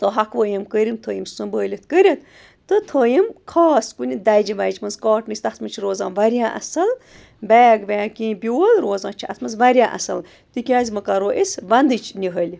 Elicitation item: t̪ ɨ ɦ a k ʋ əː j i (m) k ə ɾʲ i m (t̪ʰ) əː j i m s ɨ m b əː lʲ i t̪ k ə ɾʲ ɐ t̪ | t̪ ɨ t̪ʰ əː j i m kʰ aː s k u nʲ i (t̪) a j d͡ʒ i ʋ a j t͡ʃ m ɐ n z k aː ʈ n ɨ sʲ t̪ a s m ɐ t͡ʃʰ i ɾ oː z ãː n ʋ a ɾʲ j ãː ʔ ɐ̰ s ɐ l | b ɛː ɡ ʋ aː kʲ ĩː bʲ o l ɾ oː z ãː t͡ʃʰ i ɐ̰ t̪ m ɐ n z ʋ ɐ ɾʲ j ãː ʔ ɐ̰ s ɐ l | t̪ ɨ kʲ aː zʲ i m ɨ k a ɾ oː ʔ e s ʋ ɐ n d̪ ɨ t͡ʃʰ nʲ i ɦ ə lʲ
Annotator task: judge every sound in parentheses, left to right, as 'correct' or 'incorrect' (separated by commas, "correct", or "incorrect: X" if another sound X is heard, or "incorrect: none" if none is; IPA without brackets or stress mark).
correct, correct, incorrect: d̪